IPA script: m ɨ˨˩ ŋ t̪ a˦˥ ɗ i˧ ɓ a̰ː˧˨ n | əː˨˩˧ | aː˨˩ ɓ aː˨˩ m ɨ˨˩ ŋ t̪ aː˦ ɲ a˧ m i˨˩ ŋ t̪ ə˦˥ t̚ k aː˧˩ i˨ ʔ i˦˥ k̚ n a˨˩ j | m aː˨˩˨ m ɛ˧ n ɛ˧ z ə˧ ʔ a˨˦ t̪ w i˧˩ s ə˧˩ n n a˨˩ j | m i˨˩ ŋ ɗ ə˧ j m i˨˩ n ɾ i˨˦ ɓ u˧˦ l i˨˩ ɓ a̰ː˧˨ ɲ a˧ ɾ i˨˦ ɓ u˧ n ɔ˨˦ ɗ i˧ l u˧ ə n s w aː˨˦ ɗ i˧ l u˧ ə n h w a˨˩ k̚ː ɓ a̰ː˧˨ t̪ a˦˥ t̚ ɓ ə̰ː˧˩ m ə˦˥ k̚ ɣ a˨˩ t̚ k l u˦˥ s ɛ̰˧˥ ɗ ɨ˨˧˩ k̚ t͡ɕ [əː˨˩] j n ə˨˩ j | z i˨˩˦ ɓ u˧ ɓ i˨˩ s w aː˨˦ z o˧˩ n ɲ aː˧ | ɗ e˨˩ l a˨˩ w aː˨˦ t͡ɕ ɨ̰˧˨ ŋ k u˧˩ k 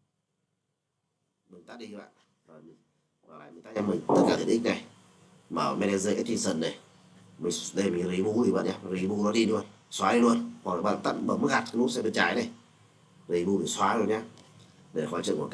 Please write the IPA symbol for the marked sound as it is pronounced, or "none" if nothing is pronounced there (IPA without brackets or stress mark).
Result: aː˨˩